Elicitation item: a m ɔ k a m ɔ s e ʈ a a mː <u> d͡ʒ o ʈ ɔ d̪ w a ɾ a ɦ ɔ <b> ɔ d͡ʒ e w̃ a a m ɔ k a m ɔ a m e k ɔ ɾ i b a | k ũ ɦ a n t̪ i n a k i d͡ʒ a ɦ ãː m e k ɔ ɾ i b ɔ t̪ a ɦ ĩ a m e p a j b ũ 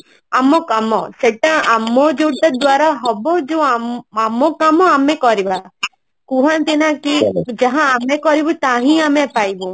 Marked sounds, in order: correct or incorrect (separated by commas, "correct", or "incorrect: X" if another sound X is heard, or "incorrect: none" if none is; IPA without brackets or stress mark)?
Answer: incorrect: ɔ, correct